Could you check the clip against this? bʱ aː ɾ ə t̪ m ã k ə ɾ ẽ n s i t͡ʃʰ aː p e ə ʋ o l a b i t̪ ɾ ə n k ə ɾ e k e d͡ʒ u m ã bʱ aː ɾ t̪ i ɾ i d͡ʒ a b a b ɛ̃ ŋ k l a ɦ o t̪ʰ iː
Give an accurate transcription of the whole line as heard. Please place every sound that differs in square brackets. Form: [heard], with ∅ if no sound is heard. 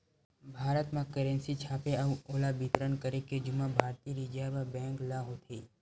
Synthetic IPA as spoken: bʱ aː ɾ ə t̪ m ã k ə ɾ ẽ n s i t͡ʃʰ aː p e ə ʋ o l a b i t̪ ɾ ə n k ə ɾ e k e d͡ʒ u m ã bʱ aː ɾ t̪ i ɾ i d͡ʒ a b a b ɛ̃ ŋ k l a ɦ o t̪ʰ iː